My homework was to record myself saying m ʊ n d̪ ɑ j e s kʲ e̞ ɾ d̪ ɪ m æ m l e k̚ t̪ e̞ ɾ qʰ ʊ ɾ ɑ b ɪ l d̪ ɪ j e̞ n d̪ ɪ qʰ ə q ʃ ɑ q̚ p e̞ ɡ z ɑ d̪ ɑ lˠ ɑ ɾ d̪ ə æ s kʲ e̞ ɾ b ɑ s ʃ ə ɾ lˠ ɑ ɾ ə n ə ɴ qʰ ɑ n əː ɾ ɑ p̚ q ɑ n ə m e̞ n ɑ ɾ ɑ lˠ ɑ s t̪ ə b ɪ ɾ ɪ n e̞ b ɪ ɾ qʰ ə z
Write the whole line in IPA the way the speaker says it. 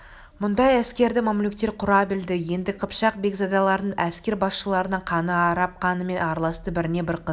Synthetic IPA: m ʊ n d̪ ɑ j æ s kʲ e̞ ɾ d̪ ɪ m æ m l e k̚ t̪ e̞ ɾ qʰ ʊ ɾ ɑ b ɪ l d̪ ɪ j e̞ n d̪ ɪ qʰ ə p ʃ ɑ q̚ b e̞ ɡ z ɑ d̪ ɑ lˠ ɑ ɾ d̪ ə æ s kʲ e̞ ɾ b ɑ s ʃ ə lˠ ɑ ɾ ə n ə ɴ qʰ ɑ n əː ɾ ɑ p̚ q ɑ n ə m e̞ n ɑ ɾ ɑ lˠ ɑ s t̪ ə b ɪ ɾ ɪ n e̞ b ɪ ɾ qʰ ə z